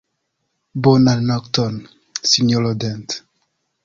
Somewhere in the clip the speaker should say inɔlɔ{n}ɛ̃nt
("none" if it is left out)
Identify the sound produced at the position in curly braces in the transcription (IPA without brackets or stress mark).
d